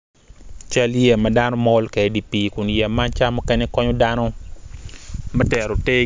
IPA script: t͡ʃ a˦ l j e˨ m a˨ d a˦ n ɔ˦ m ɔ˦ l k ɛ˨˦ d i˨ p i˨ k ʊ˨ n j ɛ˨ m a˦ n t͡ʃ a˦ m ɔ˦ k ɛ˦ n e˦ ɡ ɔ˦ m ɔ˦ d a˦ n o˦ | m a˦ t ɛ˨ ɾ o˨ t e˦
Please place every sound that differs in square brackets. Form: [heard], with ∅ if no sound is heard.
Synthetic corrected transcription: t͡ʃ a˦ l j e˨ m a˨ d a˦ n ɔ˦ m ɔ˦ l k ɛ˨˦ d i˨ p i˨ k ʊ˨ n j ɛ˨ m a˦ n t͡ʃ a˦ m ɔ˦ k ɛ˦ n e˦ [k] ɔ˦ [ɲ] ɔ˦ d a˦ n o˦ | m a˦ t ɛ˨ ɾ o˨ t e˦